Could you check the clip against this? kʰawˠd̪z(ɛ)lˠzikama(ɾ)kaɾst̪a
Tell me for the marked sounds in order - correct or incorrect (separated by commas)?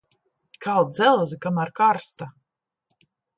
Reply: correct, correct